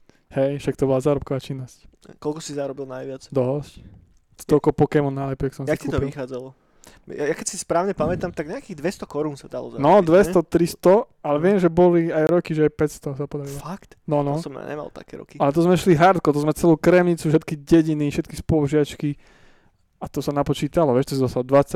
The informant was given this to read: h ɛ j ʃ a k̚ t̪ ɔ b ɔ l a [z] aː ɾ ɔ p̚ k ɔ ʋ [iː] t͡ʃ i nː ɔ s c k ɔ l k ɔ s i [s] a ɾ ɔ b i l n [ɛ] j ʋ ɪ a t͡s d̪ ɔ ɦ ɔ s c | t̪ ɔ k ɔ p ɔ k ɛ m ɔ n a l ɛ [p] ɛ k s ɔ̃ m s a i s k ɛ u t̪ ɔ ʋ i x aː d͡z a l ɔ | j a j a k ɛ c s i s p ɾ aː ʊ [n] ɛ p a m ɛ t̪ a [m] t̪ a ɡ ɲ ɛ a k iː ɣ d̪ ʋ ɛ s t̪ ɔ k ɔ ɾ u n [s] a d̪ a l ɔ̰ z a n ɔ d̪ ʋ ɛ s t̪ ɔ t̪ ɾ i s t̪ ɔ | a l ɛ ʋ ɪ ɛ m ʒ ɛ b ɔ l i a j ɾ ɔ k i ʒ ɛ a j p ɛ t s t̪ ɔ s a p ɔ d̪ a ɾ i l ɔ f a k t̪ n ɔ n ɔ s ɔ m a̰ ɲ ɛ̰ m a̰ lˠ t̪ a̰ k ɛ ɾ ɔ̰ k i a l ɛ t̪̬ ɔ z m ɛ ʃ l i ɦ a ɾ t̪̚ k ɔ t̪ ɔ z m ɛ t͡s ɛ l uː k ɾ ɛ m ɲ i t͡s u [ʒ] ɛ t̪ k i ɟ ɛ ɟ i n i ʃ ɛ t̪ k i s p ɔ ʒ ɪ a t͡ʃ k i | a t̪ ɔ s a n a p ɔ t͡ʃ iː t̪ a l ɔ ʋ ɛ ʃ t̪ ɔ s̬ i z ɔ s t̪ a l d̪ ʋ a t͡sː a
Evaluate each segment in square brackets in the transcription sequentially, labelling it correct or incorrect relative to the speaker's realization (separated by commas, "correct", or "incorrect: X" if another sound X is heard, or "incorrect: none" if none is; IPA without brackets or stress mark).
correct, incorrect: aː, incorrect: z, incorrect: a, correct, incorrect: ɲ, correct, correct, incorrect: ʃ